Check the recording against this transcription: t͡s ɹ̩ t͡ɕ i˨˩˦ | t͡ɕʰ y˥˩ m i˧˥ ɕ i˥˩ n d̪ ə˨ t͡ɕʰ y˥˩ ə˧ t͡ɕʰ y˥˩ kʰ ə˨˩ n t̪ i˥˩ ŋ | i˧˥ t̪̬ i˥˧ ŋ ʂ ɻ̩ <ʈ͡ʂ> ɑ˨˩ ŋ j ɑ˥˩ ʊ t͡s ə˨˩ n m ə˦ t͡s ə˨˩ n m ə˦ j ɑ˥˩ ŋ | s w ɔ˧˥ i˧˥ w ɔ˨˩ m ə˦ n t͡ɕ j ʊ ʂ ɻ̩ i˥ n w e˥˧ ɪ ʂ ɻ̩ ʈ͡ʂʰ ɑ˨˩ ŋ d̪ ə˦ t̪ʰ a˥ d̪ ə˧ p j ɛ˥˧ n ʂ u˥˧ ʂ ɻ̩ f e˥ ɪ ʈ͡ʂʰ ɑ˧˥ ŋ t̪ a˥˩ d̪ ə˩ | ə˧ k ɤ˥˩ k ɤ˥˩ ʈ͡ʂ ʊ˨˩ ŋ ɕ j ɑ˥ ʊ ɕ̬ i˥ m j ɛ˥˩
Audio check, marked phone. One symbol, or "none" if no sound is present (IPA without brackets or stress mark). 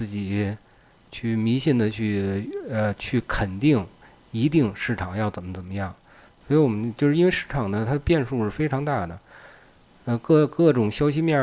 ʈ͡ʂʰ